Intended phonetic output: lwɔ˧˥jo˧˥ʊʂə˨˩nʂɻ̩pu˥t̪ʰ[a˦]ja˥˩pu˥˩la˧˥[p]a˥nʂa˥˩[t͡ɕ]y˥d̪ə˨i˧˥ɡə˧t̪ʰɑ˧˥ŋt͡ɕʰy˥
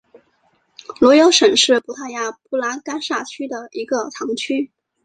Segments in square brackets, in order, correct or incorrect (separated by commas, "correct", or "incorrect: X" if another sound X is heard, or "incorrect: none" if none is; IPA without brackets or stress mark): incorrect: a˥˩, incorrect: k, incorrect: t͡ɕʰ